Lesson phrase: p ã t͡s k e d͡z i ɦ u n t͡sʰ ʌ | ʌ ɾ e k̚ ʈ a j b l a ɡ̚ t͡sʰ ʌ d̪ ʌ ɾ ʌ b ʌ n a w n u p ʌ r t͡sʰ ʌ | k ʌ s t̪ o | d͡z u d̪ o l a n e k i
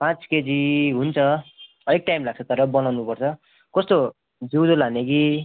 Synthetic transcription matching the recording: p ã t͡s k e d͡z i ɦ u n t͡sʰ ʌ | ʌ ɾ e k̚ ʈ a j m l a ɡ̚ t͡sʰ ʌ t̪ ʌ ɾ ʌ b ʌ n a w n u p ʌ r t͡sʰ ʌ | k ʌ s t̪ o | d͡z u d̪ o l a n e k i